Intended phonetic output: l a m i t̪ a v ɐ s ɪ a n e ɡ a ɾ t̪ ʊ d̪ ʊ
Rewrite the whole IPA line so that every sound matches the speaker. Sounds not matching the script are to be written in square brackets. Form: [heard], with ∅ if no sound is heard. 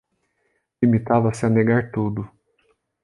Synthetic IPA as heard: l [i] m i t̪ a v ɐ s ɪ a n e ɡ a ɾ t̪ [u] d̪ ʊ